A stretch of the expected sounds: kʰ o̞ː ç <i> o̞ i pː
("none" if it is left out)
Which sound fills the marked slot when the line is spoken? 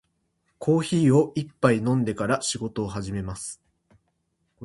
iː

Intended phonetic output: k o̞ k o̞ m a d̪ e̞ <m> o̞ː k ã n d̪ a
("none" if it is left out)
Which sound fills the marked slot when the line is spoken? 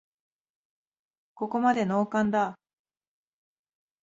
n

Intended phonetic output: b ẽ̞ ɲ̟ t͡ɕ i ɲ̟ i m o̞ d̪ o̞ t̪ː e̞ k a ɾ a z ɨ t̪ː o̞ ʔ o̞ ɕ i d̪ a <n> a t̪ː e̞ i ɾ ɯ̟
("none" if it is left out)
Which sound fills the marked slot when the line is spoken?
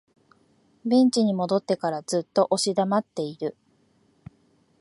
m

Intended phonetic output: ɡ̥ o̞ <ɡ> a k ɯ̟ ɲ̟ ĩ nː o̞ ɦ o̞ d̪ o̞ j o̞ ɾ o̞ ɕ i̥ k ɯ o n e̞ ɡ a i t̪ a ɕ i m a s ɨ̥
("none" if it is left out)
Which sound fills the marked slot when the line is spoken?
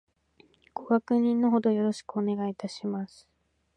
ɡ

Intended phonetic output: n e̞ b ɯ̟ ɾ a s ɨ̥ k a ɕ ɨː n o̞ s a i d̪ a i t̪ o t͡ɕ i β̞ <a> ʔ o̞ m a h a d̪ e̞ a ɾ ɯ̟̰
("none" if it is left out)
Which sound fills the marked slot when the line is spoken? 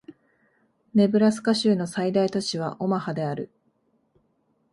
a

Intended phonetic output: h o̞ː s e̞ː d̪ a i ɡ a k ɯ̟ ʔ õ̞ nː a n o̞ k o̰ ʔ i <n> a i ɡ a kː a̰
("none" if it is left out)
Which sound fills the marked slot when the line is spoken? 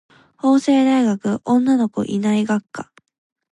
n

